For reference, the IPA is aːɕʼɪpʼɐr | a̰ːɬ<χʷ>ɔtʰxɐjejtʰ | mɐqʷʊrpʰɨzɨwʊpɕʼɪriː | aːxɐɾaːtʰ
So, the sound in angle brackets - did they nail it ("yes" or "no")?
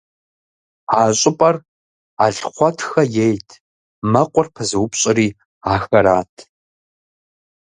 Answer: yes